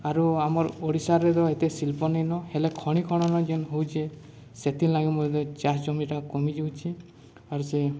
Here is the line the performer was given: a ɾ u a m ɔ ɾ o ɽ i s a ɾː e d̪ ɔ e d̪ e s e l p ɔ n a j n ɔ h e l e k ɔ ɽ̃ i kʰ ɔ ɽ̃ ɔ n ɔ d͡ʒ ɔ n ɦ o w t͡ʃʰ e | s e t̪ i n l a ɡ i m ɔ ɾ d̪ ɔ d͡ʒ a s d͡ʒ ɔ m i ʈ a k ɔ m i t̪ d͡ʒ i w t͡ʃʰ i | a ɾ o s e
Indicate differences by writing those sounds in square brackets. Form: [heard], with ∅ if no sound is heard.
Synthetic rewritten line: a ɾ u a m ɔ ɾ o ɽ i s a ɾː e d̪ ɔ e [t̪] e s [i] l p ɔ n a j n ɔ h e l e [kʰ] ɔ ɽ̃ i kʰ ɔ ɽ̃ ɔ n ɔ d͡ʒ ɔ n ɦ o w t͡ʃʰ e | s e t̪ i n l a ɡ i m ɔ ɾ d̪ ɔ d͡ʒ a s d͡ʒ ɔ m i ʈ a k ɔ m i [∅] d͡ʒ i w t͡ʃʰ i | a ɾ [u] s e